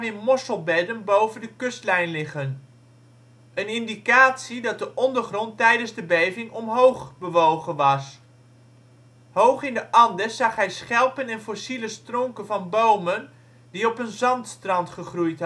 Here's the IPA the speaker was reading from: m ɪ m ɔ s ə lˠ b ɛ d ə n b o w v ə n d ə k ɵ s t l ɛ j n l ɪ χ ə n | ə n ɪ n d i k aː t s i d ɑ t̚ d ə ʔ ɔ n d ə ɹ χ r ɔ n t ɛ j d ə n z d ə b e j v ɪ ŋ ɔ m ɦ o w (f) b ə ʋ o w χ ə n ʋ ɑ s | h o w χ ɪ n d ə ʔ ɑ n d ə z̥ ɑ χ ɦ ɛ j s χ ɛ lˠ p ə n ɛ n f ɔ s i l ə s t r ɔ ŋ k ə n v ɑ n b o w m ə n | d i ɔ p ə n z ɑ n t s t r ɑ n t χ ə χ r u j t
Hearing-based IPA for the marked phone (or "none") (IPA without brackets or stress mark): χ